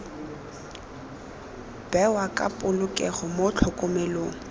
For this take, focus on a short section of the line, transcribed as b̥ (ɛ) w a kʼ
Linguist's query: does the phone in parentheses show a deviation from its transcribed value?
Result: no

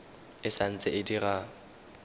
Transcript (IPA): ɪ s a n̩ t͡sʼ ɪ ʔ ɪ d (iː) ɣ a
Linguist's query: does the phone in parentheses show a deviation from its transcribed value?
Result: yes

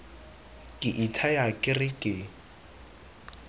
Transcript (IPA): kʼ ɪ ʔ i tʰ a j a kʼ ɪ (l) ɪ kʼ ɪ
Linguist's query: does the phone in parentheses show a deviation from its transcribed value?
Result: yes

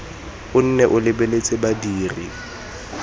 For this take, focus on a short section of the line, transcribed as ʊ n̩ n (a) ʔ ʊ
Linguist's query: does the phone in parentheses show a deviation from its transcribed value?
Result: yes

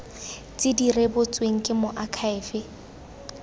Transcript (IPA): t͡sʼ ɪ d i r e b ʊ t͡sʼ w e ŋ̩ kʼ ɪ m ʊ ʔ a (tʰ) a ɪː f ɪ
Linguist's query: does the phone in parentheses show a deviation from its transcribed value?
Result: yes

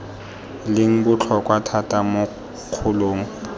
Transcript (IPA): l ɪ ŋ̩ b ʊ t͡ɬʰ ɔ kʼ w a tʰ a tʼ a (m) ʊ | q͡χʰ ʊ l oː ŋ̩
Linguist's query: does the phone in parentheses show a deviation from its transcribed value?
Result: no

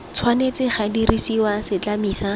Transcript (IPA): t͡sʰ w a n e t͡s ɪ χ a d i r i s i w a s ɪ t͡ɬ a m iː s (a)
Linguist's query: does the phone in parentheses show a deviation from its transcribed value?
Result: no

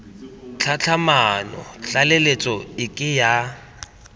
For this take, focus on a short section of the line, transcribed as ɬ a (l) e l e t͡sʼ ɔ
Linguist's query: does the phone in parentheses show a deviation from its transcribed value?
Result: no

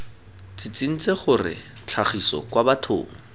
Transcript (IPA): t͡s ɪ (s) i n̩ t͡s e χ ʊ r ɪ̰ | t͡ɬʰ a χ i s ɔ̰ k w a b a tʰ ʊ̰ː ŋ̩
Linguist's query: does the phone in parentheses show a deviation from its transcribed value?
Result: yes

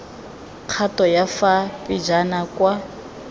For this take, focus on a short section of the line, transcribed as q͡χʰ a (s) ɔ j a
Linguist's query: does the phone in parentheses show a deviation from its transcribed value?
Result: yes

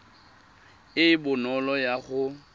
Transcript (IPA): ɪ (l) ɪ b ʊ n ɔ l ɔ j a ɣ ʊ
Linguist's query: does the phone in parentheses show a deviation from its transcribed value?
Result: yes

